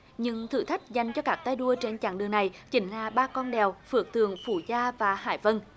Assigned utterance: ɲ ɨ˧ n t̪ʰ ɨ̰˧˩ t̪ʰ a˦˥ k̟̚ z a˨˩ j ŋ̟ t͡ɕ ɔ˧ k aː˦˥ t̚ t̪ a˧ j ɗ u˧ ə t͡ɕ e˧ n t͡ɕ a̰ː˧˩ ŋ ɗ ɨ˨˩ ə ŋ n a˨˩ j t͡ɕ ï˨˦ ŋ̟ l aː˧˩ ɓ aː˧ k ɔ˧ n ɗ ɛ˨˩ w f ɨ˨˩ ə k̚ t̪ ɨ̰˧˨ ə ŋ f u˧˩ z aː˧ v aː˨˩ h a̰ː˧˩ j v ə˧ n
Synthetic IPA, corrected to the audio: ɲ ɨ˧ ŋ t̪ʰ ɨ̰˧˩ t̪ʰ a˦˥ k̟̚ z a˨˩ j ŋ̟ t͡ɕ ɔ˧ k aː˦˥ k̚ t̪ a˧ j ɗ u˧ ə t͡ɕ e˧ n t͡ɕ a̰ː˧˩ ŋ ɗ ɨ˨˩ ə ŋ n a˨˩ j t͡ɕ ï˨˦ ŋ̟ l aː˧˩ ɓ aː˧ k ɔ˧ n ɗ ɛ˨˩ w f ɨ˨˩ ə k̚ t̪ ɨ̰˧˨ ə ŋ f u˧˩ z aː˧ v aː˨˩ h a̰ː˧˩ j v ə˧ n